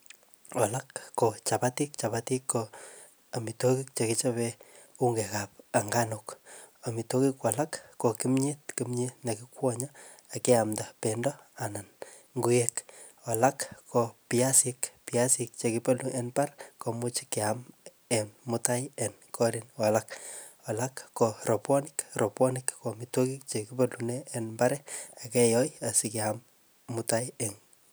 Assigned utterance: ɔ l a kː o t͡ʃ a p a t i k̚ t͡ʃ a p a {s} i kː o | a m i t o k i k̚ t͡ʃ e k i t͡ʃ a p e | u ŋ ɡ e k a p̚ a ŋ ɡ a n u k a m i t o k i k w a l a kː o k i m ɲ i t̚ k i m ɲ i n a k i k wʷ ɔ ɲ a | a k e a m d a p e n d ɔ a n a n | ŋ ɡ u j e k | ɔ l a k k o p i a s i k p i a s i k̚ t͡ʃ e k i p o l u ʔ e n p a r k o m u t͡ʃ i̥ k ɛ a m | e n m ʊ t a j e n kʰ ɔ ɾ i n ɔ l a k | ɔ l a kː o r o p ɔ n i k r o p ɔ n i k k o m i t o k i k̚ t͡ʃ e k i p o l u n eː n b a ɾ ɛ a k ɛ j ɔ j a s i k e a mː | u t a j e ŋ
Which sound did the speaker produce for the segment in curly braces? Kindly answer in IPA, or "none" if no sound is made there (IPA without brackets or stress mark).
t